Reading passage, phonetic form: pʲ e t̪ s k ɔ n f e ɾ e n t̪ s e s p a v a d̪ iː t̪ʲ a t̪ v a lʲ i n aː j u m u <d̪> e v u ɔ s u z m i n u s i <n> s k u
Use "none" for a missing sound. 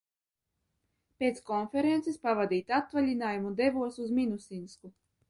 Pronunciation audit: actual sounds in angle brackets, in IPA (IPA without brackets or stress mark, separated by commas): d̪, n